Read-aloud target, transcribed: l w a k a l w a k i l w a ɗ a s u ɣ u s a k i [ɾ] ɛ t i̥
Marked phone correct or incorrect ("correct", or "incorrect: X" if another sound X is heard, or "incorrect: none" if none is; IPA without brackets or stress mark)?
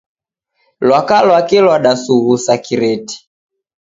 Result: correct